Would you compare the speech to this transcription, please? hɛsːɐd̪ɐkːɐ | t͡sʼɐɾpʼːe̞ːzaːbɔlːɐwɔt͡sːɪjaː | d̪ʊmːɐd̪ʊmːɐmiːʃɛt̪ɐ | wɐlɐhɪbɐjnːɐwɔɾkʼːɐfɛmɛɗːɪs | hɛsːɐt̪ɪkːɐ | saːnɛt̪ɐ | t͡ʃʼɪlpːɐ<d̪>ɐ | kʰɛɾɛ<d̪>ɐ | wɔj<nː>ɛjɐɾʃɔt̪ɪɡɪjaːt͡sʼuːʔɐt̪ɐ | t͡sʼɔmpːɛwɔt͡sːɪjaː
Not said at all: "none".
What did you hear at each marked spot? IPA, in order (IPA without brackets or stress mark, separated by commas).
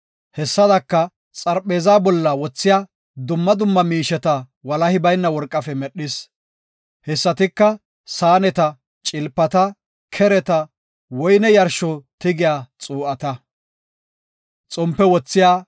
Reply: t̪, t̪, n